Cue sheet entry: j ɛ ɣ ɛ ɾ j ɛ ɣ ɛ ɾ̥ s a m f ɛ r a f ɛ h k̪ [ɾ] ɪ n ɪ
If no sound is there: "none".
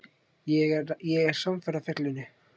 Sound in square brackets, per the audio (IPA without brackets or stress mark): l